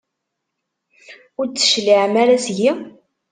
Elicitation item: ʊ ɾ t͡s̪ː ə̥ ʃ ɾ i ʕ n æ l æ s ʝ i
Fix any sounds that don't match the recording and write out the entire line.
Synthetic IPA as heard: ʊ ɾ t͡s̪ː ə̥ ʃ l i ʕ m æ ɾ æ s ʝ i